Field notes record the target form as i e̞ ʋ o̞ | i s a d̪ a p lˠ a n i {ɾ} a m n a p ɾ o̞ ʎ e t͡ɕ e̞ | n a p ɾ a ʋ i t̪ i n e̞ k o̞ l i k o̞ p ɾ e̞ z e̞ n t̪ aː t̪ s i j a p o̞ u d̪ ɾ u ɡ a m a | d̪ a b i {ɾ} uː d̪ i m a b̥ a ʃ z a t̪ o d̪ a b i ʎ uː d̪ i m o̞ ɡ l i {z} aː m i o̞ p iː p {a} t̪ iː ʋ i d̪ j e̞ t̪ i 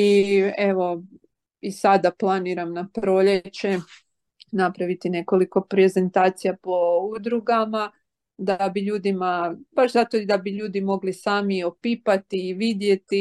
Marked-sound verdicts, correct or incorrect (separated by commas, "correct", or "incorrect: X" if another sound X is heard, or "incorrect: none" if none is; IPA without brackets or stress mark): correct, incorrect: ʎ, incorrect: s, correct